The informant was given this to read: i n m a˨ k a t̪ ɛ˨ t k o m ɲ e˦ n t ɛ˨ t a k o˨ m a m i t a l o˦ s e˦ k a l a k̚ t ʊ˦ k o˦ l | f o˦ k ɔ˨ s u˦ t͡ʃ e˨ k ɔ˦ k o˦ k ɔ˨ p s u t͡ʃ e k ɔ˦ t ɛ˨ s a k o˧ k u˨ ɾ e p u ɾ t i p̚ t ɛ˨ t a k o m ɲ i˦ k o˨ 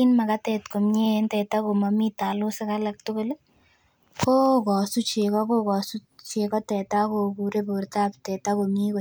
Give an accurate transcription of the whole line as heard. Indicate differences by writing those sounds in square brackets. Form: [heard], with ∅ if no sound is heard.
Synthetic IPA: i n m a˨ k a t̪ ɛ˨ t k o m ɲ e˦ n t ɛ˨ t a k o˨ m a m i t a l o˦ s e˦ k a l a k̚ t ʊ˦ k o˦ l | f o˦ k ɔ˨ s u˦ t͡ʃ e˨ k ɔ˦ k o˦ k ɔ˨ [∅] s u t͡ʃ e k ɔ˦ t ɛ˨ [t] a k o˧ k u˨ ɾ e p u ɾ t [a] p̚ t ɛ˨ t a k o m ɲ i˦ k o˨